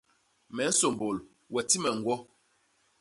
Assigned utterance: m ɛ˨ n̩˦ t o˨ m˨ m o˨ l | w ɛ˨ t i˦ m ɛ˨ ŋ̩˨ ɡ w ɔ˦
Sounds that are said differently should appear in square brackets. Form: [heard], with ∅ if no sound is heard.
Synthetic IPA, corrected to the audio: m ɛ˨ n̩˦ [s] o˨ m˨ [b] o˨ l | w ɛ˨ t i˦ m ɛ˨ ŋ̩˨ ɡ w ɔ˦

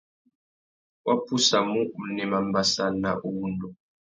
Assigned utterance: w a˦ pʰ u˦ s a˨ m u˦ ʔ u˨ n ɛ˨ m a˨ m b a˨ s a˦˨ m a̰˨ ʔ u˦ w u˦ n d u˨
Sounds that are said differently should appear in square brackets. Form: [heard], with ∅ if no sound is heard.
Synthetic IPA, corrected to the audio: w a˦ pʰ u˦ s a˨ m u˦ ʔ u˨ n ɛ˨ m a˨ m b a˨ s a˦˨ [n] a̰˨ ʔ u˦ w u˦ n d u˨

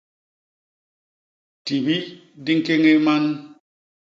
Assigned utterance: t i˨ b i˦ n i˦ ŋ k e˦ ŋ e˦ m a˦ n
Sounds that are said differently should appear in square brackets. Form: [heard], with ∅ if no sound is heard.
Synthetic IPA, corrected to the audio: t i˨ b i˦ [d] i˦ ŋ k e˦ ŋ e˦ m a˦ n

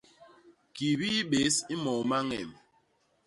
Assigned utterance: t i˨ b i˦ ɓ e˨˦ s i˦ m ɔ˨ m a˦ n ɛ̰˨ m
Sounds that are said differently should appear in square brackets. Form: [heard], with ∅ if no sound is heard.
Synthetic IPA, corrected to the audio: [k] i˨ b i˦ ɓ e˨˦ s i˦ m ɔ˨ m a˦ [ŋ] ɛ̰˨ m

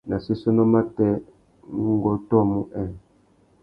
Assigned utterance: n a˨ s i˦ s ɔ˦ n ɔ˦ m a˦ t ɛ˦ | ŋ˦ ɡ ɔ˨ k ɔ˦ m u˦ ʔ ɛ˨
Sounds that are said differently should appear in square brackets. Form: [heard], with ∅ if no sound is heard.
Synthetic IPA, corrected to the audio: n a˨ s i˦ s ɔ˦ n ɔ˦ m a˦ t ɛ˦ | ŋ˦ ɡ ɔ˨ [t] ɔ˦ m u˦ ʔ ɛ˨

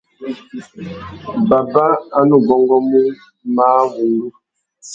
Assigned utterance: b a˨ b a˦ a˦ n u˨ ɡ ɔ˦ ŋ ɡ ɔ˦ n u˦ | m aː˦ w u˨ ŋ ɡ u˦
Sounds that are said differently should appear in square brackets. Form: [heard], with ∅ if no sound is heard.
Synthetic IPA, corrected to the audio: b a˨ b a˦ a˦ n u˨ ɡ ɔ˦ ŋ ɡ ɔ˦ [m] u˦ | m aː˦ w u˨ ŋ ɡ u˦

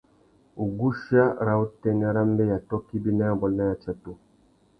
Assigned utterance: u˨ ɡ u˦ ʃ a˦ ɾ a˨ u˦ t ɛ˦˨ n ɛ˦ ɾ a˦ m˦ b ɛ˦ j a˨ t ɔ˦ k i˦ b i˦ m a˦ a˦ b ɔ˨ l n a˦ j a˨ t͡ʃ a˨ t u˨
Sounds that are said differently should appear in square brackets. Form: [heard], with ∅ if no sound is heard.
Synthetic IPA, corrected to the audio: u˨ ɡ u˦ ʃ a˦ ɾ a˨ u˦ t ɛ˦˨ n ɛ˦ ɾ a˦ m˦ b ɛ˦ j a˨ t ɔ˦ k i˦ b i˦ [n] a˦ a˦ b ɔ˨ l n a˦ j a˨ t͡ʃ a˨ t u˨

